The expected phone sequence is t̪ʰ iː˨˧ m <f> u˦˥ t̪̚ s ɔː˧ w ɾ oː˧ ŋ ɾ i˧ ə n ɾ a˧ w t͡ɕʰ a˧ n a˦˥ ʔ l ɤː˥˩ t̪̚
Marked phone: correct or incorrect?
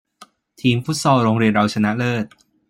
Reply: correct